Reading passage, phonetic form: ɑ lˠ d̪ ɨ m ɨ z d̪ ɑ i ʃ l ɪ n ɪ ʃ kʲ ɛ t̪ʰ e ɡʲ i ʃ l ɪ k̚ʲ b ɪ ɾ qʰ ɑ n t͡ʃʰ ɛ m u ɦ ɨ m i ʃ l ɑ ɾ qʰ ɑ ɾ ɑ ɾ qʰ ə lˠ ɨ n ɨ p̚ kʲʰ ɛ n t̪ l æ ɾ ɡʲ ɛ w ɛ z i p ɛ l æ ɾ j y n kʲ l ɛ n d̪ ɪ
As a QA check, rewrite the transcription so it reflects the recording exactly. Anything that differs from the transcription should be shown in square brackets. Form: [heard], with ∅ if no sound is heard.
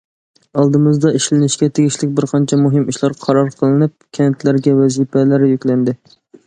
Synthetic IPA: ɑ lˠ d̪ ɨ m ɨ z d̪ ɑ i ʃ l ɪ n ɪ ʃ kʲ ɛ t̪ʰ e ɡʲ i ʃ l ɪ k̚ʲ b ɪ ɾ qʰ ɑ n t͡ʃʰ ɛ m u ɦ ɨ m i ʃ l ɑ ɾ qʰ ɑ ɾ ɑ ɾ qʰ ə lˠ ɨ n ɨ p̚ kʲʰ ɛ n t̪ l æ ɾ ɡʲ ɛ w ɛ z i p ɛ l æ ɾ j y [∅] kʲ l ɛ n d̪ ɪ